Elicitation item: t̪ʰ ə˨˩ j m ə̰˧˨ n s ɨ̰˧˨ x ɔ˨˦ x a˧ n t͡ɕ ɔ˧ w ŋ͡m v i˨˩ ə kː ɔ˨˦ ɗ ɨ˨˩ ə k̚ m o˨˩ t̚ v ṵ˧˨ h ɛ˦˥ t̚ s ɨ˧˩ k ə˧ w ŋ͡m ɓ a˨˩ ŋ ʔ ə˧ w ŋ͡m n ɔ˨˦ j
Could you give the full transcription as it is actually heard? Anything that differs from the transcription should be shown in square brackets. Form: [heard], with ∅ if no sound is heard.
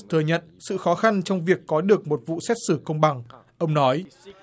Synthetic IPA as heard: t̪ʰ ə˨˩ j [ɲ] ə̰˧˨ n s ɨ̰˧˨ x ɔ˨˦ x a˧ n t͡ɕ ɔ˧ w ŋ͡m v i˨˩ ə kː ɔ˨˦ ɗ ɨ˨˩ ə k̚ m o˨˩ t̚ v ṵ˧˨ [s] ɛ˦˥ t̚ s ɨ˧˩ k ə˧ w ŋ͡m ɓ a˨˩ ŋ ʔ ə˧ w ŋ͡m n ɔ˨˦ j